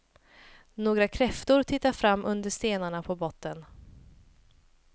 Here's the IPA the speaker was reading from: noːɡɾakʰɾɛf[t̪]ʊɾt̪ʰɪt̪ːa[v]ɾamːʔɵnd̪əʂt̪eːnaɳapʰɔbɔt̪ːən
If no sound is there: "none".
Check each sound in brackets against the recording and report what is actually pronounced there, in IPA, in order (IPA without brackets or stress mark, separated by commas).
t̪, f